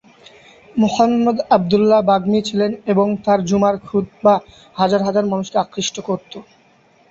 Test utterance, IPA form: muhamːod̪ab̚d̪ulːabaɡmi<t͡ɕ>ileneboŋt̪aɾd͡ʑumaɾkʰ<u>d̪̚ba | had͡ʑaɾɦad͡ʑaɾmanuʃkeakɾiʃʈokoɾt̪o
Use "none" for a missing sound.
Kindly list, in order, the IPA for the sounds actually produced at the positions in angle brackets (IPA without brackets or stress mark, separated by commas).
t͡ɕʰ, u